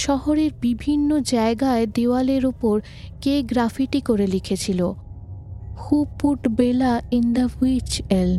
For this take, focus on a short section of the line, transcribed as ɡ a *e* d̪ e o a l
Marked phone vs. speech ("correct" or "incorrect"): correct